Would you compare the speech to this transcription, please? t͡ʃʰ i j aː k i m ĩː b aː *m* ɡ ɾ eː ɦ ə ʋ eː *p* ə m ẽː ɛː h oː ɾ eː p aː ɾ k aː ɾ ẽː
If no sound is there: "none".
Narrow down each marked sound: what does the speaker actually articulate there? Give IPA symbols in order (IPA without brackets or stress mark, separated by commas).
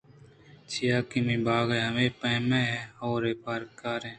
none, p